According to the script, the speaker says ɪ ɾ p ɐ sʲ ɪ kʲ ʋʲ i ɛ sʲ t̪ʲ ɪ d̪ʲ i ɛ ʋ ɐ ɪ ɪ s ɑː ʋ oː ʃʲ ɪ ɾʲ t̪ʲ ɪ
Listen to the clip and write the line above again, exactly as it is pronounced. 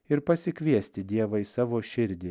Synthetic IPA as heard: ɪ ɾ p ɐ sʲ ɪ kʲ ʋʲ i ɛ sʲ t̪ʲ ɪ d̪ʲ i ɛ ʋ ɐ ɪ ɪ s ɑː ʋ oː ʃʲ ɪ ɾʲ d̪ʲ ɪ

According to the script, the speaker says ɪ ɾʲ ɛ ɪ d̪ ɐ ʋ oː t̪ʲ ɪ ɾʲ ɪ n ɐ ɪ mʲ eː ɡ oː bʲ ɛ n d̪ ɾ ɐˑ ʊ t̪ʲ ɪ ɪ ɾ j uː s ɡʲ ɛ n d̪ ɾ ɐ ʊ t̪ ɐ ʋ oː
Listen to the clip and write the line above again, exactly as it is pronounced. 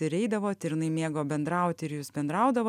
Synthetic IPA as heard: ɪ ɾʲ ɛ ɪ d̪ ɐ ʋ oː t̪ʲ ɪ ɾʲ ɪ n ɐ ɪ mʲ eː ɡ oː bʲ ɛ n d̪ ɾ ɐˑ ʊ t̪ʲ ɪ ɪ ɾ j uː s bʲ ɛ n d̪ ɾ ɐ ʊ d̪ ɐ ʋ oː

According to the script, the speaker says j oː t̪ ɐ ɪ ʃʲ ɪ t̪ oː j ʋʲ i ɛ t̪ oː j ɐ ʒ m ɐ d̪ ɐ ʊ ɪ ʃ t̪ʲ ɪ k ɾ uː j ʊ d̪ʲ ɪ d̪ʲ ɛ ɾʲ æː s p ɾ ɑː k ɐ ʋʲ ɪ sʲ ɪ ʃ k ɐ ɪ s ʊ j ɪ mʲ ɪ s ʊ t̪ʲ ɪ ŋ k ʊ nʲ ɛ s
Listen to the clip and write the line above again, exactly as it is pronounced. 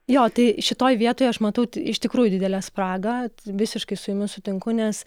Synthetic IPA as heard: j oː t̪ ɐ ɪ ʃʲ ɪ t̪ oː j ʋʲ i ɛ t̪ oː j ɐ ʃ m ɐ t̪ ɐ ʊ ɪ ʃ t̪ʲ ɪ k ɾ uː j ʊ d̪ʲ ɪ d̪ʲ ɛ lʲ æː s p ɾ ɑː ɡ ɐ ʋʲ ɪ sʲ ɪ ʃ k ɐ ɪ s ʊ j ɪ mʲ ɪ s ʊ t̪ʲ ɪ ŋ k ʊ nʲ ɛ s

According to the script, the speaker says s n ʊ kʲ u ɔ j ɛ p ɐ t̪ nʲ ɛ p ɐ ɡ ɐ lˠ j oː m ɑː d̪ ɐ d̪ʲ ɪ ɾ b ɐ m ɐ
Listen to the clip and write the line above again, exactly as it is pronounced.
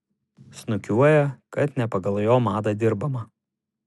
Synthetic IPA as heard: s n ʊ kʲ u ɔ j ɛ k ɐ t̪ nʲ ɛ p ɐ ɡ ɐ lˠ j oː m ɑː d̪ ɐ d̪ʲ ɪ ɾ b ɐ m ɐ

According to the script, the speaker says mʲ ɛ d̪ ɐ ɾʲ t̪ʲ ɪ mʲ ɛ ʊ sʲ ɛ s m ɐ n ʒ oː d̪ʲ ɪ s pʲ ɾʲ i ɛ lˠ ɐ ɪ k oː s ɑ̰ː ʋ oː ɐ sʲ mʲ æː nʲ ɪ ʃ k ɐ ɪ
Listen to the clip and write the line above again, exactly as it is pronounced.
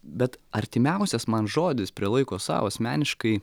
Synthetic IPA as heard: bʲ ɛ t̪ ɐ ɾʲ t̪ʲ ɪ mʲ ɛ ʊ sʲ ɛ s m ɐ n ʒ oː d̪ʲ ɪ s pʲ ɾʲ i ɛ lˠ ɐ ɪ k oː s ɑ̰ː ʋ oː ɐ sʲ mʲ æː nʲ ɪ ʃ k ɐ ɪ

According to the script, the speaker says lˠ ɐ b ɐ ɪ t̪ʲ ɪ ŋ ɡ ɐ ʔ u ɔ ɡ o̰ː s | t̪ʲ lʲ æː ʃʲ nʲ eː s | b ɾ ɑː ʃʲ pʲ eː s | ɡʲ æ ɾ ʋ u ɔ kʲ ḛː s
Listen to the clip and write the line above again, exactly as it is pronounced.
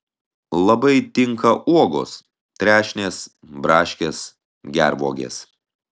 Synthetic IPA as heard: lˠ ɐ b ɐ ɪ t̪ʲ ɪ ŋ k ɐ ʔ u ɔ ɡ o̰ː s | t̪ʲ ɾʲ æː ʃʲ nʲ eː s | b ɾ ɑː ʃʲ kʲ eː s | ɡʲ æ ɾ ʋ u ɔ ɡʲ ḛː s

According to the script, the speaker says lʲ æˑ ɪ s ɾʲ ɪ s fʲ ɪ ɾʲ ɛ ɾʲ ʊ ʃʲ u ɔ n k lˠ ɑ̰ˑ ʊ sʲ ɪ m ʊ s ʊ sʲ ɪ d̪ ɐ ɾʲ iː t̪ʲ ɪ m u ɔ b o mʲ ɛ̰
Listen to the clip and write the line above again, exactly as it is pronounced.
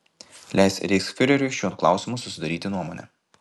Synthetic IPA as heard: lʲ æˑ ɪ s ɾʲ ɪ s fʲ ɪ ɾʲ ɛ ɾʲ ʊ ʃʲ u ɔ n k lˠ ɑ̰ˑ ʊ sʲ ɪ m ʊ s ʊ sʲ ɪ d̪ ɐ ɾʲ iː t̪ʲ ɪ n u ɔ m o nʲ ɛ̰

